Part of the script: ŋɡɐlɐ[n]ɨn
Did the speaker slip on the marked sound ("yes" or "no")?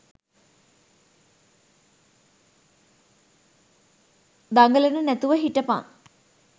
no